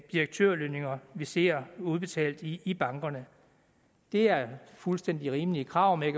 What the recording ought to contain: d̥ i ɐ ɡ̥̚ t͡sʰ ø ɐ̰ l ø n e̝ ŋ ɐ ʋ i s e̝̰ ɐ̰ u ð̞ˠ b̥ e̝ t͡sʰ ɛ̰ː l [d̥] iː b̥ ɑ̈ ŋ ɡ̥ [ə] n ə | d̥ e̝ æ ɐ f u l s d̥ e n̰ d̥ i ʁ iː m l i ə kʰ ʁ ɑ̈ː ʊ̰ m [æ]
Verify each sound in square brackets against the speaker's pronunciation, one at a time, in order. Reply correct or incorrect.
correct, incorrect: ɐ, incorrect: e

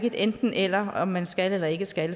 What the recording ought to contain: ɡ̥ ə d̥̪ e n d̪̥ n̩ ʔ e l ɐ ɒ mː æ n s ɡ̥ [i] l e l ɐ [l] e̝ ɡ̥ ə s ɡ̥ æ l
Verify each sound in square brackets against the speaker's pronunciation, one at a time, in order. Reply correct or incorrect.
incorrect: æ, incorrect: none

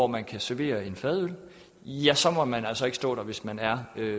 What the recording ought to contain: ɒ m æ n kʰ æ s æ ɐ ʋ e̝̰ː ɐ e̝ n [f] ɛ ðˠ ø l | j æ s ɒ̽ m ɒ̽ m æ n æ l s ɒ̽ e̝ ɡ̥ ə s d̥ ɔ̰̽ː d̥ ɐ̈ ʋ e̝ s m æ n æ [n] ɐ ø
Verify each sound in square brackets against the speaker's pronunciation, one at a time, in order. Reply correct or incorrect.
correct, incorrect: none

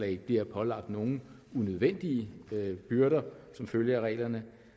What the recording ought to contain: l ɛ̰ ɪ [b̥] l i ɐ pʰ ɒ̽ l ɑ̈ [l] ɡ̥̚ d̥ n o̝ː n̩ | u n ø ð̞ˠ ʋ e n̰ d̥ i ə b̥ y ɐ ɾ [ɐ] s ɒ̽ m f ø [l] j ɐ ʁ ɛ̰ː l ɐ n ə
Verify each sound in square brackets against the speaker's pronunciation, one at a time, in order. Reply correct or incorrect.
correct, incorrect: none, correct, correct

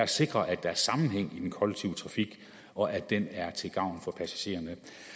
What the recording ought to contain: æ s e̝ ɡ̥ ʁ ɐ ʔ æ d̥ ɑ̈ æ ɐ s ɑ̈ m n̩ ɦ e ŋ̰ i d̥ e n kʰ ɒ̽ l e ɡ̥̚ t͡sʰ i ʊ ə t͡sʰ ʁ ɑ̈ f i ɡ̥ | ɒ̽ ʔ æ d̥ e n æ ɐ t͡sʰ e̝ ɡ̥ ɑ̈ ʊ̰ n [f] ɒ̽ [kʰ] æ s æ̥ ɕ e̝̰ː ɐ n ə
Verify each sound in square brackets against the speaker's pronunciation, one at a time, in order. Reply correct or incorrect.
correct, incorrect: pʰ

